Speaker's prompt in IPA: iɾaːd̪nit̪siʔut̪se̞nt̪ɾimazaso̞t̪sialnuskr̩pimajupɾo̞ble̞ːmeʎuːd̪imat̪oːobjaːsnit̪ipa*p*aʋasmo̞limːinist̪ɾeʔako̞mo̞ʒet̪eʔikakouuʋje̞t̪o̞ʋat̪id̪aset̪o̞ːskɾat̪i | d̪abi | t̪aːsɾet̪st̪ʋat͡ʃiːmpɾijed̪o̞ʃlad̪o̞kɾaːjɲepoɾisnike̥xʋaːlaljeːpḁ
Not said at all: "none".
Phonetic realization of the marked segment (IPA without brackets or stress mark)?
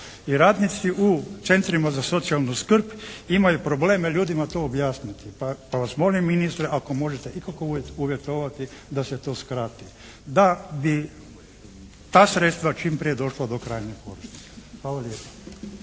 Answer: p